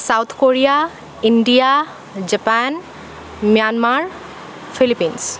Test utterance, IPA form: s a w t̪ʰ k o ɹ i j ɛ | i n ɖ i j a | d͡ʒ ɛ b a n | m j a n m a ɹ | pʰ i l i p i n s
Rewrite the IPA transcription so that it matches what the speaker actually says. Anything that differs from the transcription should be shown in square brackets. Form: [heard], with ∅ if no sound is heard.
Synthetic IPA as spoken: s a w t̪ʰ k o ɹ i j [a] | i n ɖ i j a | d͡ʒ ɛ [p] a n | m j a n m a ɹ | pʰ i l i p i n s

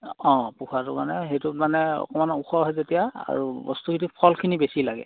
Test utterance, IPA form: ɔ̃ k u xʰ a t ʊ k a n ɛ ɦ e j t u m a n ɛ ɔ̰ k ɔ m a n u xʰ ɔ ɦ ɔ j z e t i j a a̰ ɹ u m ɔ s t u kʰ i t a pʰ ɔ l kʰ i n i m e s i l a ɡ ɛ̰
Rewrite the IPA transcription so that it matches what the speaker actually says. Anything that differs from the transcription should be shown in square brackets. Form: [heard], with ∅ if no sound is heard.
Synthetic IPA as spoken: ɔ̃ [p] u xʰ a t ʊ k a n ɛ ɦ e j t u m a n ɛ ɔ̰ k ɔ m a n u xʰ ɔ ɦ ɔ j z e t i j a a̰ ɹ u [b] ɔ s t u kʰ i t [i] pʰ ɔ l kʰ i n i [b] e s i l a ɡ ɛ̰

